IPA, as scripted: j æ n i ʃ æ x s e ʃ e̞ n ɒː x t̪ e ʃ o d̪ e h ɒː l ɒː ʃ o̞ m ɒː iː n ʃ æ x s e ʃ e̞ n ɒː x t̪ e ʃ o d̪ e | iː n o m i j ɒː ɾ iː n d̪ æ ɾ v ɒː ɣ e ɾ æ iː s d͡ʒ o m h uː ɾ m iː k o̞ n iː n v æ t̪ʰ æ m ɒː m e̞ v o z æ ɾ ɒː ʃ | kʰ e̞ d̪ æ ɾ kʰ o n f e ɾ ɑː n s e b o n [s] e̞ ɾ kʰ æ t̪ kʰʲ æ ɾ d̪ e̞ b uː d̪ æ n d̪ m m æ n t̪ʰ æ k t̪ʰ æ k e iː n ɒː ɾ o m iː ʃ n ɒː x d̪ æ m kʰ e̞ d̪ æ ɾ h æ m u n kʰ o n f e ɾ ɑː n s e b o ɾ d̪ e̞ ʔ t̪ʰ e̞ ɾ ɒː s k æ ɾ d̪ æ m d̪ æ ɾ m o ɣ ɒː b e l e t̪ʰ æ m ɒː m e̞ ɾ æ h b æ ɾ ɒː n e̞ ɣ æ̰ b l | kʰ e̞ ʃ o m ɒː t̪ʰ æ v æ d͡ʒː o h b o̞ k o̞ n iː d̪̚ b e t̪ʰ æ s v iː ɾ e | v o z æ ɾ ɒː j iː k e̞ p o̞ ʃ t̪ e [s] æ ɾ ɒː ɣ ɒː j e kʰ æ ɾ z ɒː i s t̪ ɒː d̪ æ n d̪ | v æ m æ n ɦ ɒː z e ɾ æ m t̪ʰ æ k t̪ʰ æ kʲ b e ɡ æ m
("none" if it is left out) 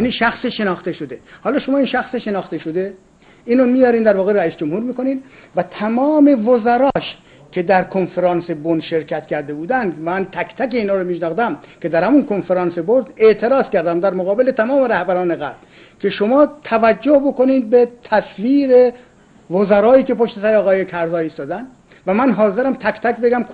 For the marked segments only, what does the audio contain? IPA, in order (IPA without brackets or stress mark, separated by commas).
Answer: ʃ, s